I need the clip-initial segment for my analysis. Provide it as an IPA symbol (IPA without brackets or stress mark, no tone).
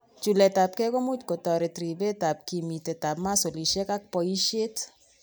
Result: t͡ʃ